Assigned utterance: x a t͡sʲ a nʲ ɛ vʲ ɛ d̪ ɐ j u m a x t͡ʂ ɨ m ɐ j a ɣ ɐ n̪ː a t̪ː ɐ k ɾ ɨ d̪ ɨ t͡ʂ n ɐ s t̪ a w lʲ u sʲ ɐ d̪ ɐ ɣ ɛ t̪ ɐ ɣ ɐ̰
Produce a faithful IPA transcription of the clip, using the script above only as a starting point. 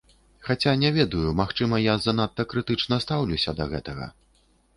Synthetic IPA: x a t͡sʲ a nʲ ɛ vʲ ɛ d̪ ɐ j u m a x t͡ʂ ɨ m ɐ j a z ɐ n̪ a t̪ː ɐ k ɾ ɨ t̪ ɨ t͡ʂ n ɐ s t̪ a w lʲ u sʲ ɐ d̪ ɐ ɣ ɛ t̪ ɐ ɣ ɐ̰